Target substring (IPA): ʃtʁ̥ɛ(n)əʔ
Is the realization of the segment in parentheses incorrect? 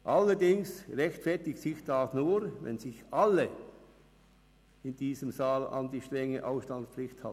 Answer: yes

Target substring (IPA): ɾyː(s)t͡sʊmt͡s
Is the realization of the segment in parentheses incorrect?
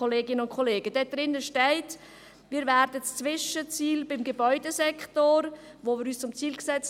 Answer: no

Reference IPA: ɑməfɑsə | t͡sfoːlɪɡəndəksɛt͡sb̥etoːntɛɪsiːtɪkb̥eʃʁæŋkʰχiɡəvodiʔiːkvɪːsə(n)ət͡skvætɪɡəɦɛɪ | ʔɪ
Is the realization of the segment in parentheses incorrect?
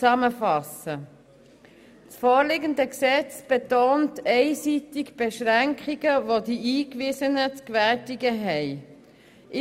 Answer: no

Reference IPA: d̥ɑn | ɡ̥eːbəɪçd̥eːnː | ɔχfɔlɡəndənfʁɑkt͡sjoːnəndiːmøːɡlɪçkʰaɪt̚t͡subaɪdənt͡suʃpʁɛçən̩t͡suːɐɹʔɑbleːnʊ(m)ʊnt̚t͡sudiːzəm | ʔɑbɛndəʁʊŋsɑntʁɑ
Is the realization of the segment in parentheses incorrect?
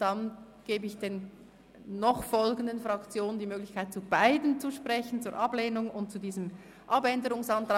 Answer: yes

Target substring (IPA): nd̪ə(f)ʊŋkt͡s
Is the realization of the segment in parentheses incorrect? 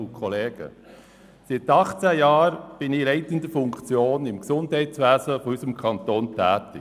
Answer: no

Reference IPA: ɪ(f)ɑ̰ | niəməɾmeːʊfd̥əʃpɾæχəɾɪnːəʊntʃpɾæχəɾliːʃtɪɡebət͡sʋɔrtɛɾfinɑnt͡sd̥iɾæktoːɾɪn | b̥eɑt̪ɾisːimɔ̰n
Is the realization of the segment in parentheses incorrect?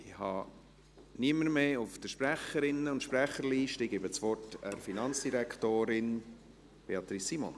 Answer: yes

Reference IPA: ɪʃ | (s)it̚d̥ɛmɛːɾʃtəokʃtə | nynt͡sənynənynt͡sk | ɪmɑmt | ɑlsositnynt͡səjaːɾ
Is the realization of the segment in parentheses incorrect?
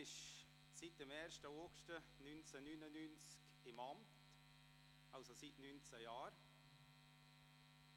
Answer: no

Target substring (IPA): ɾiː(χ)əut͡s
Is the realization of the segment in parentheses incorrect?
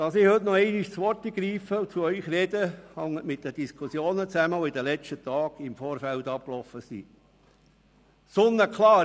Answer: yes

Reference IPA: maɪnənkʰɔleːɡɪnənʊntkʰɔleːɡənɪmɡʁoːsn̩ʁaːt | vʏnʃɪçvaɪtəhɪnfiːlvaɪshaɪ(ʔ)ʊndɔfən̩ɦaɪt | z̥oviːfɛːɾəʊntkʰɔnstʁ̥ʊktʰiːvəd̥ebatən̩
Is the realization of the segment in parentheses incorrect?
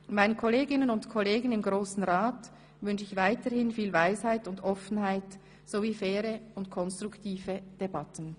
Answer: yes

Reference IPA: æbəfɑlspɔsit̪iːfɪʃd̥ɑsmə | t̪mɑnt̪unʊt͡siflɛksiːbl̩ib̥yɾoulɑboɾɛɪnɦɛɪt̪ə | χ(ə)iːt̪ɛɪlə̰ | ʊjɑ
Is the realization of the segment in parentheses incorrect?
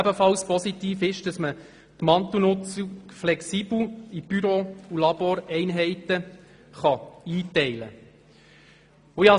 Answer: yes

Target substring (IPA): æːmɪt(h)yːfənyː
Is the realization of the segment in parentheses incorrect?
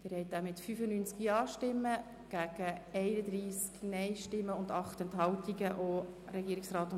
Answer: yes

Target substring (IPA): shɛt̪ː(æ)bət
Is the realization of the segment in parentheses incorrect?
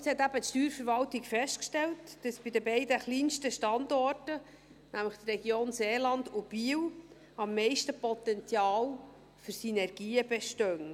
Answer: no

